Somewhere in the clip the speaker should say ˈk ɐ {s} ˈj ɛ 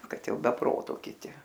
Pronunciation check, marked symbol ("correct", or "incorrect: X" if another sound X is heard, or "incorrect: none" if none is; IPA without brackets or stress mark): incorrect: t